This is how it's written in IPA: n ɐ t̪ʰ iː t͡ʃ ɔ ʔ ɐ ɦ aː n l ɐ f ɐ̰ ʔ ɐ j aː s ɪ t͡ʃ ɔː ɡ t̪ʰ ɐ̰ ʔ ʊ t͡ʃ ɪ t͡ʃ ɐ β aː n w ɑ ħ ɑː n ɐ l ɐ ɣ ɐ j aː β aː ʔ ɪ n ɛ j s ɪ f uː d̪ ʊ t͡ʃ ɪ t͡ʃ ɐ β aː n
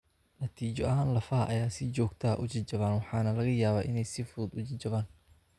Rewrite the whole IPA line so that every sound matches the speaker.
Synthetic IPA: n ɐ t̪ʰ iː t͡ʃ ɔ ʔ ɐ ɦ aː n l ɐ f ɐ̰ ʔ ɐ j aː s ɪ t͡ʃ ɔː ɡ t̪ʰ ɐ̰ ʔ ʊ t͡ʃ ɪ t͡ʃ ɐ β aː n w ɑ ħ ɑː n ɐ l ɐ ɣ ɐ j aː β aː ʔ ɪ n ɛ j s ɪ f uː d̪ ʊ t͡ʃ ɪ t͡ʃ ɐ β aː n